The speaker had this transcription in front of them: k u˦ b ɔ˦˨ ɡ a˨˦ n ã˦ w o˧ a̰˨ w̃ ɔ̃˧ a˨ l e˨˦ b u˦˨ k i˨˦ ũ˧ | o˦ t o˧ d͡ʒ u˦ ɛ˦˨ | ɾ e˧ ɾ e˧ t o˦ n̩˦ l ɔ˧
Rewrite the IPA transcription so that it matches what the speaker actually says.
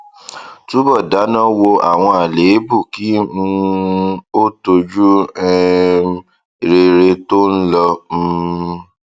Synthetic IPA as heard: t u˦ b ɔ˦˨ d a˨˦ n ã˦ w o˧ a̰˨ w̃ ɔ̃˧ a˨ l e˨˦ b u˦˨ k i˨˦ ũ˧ | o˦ t o˧ d͡ʒ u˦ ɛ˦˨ | ɾ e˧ ɾ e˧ t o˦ n̩˦ l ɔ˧